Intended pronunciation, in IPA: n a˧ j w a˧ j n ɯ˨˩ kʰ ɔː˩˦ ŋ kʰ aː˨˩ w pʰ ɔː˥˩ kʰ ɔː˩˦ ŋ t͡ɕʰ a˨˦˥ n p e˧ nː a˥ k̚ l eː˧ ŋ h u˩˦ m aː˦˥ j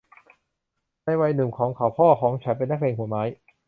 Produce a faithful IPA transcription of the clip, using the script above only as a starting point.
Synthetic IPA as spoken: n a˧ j w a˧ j n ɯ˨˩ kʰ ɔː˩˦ ŋ kʰ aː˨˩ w pʰ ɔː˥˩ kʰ ɔː˩˦ ŋ t͡ɕʰ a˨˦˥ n p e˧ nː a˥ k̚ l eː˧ ŋ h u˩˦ m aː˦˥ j